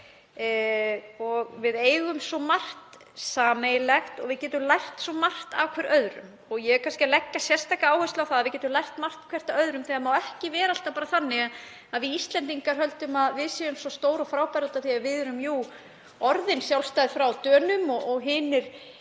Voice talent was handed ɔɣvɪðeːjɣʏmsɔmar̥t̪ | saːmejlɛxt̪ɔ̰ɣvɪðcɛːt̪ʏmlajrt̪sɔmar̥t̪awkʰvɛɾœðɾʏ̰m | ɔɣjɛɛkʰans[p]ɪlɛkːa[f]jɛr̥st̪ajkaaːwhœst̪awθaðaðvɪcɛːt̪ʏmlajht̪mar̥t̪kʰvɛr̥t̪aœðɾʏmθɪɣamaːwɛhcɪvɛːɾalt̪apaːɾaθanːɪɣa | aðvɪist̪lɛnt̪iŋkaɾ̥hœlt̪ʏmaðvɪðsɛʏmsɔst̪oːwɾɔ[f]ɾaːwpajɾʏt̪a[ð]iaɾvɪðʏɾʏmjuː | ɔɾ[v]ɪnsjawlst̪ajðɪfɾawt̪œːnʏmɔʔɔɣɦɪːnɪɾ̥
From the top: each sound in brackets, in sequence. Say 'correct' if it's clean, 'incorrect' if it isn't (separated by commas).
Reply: incorrect, incorrect, correct, incorrect, incorrect